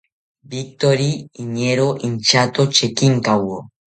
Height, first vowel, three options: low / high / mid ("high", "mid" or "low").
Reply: high